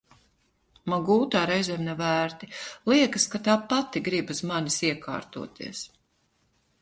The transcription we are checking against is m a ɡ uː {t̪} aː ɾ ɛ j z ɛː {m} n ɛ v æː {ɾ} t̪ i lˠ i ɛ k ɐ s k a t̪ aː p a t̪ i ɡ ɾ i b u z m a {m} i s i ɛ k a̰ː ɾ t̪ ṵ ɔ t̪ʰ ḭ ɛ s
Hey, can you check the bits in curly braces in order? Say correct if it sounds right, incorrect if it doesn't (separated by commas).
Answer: correct, correct, correct, incorrect